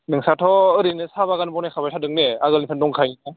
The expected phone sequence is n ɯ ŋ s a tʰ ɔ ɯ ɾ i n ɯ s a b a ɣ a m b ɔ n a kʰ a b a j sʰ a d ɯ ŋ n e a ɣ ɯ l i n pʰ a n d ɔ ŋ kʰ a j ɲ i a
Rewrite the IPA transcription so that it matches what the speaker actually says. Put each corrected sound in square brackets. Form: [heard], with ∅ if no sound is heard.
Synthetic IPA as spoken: n ɯ ŋ s a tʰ ɔ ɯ ɾ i n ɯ s a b a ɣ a [n] b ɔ n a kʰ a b a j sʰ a d ɯ ŋ n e a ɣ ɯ l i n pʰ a n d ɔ ŋ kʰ a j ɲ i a